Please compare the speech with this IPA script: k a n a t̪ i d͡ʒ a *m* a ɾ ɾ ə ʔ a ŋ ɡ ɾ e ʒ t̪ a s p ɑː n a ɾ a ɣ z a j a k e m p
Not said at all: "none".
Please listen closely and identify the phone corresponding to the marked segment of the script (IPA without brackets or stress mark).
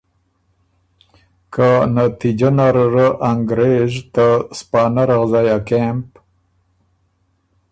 n